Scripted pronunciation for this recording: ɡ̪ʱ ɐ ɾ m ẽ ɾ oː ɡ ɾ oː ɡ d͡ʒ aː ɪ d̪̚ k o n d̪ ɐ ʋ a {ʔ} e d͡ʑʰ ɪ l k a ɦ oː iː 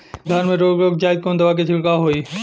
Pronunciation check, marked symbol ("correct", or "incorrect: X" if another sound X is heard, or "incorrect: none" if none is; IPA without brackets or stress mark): incorrect: k